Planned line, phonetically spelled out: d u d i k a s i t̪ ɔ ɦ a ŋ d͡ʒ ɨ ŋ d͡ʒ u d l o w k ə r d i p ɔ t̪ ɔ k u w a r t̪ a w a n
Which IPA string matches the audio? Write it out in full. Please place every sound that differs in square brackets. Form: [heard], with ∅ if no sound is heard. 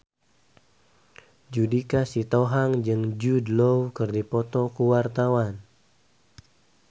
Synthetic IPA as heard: [d͡ʒ] u d i k a s i t̪ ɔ ɦ a ŋ d͡ʒ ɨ ŋ d͡ʒ u d l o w k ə r d i p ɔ t̪ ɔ k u w a r t̪ a w a n